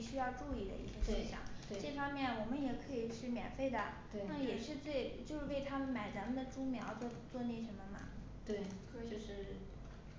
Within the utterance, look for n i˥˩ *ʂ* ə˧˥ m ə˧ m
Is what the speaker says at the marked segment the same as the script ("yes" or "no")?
yes